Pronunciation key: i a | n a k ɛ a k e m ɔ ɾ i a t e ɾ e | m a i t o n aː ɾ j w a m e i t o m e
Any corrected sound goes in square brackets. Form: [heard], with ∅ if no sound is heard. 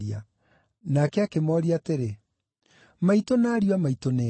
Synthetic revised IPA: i a | n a k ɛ a k e m ɔ ɾ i a t e ɾ e | m a i t o n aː ɾ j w a m [a] i t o [n] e